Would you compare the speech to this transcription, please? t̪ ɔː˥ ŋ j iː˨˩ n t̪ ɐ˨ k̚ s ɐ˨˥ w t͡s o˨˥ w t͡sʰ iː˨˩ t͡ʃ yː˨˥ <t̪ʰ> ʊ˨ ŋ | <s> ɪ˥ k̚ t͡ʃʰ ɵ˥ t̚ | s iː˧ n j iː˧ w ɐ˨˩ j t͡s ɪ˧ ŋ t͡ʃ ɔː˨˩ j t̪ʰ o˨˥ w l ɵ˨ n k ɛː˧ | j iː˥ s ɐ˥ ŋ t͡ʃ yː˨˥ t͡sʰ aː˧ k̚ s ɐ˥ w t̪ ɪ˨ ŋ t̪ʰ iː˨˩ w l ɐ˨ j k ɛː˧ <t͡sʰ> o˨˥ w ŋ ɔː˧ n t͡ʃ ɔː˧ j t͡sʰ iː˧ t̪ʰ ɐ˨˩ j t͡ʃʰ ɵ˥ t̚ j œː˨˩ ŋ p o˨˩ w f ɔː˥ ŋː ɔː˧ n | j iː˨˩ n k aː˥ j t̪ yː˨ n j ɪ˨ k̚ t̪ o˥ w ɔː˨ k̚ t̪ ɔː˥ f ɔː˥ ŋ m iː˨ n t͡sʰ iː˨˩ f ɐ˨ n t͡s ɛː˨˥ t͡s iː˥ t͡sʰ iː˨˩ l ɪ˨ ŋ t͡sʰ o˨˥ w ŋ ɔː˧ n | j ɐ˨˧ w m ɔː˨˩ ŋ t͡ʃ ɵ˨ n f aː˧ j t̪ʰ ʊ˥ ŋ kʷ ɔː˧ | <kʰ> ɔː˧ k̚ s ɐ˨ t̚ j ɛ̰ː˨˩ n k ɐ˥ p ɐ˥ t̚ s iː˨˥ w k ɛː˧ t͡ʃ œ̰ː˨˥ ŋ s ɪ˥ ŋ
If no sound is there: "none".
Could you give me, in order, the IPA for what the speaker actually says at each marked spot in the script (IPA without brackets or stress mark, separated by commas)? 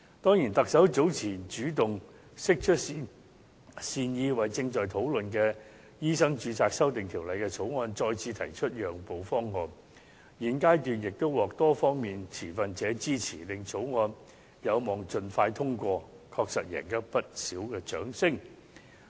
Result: t̪, s, t͡sʰ, kʰ